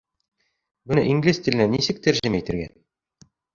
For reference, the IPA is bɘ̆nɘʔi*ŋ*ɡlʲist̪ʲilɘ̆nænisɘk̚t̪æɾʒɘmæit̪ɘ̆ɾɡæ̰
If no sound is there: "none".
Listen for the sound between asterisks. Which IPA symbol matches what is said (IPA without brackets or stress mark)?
ŋ